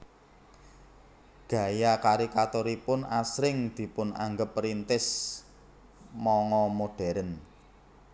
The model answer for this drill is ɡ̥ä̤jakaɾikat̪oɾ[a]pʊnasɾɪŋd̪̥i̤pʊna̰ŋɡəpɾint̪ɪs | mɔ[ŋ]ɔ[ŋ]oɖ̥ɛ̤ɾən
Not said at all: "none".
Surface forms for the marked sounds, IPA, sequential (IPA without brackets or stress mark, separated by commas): i, ŋ, m